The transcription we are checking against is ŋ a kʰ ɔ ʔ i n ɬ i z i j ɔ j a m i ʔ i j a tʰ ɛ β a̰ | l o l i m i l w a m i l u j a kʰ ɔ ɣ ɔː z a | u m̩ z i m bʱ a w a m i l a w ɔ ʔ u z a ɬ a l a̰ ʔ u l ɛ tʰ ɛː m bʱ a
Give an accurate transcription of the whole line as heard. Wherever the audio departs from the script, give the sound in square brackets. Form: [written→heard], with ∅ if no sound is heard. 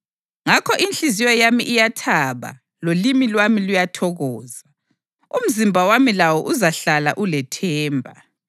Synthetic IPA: ŋ a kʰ ɔ ʔ i n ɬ i z i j ɔ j a m i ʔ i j a tʰ [ɛ→a] β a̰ | l o l i m i l w a m i l u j a [kʰ→tʰ] ɔ ɣ ɔː z a | u m̩ z i m bʱ a w a m i l a w ɔ ʔ u z a ɬ a l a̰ ʔ u l ɛ tʰ ɛː m bʱ a